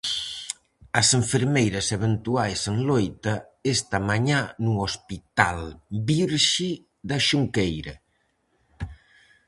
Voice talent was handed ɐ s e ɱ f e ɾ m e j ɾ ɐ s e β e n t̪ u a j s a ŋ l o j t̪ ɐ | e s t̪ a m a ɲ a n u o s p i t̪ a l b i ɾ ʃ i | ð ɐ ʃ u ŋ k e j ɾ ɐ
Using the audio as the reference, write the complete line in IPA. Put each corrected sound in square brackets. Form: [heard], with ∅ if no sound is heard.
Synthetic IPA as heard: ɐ s e ɱ f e ɾ m e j ɾ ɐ s e β e n t̪ u a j s [e] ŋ l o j t̪ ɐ | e s t̪ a m a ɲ a n u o s p i t̪ a l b i ɾ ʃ i | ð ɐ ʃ u ŋ k e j ɾ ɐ